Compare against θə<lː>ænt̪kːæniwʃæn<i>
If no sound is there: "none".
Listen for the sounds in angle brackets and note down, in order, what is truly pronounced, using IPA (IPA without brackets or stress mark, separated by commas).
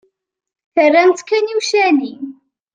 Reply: rː, i